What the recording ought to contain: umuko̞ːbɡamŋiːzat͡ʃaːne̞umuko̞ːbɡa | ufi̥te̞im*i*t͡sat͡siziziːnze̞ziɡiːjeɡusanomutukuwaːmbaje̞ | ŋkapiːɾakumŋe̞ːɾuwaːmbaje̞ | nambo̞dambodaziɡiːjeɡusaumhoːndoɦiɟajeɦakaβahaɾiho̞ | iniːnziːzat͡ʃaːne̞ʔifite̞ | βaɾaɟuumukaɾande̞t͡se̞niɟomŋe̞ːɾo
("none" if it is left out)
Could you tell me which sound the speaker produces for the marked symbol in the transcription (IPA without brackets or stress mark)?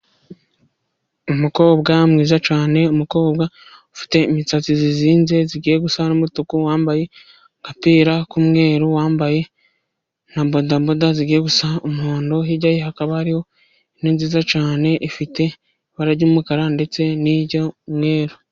i